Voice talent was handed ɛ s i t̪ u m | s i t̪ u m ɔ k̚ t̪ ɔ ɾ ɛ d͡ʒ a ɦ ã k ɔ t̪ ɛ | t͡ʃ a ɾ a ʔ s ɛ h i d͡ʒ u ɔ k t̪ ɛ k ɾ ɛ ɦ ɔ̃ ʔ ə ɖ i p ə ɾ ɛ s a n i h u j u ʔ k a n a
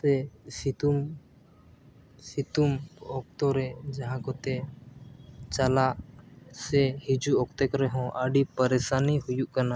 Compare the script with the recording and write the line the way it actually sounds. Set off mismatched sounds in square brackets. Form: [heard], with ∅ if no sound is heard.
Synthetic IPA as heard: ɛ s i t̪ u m | s i t̪ u m ɔ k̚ t̪ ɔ ɾ ɛ d͡ʒ a ɦ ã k ɔ t̪ ɛ | t͡ʃ a [l] a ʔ s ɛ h i d͡ʒ u ɔ k t̪ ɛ k ɾ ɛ ɦ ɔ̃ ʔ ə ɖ i p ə ɾ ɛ s a n i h u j u ʔ k a n a